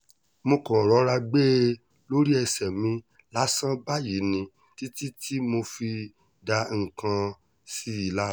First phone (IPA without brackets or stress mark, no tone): m